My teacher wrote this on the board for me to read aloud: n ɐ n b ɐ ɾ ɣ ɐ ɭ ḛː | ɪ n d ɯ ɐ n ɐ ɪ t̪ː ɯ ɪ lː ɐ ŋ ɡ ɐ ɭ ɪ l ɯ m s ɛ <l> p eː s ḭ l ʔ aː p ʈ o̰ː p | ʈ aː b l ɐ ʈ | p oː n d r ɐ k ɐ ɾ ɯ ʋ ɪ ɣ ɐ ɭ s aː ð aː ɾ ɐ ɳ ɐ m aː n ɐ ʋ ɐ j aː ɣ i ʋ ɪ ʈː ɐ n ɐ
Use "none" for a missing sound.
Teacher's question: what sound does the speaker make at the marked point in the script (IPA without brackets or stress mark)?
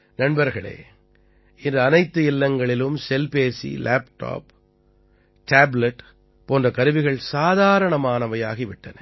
l